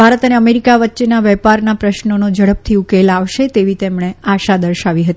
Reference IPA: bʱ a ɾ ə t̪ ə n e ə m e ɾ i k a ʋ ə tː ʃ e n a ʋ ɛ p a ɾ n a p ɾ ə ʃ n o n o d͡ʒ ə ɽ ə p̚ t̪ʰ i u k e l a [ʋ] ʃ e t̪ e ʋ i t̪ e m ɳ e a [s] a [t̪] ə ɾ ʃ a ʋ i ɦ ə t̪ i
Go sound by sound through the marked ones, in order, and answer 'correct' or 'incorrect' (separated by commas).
correct, incorrect, incorrect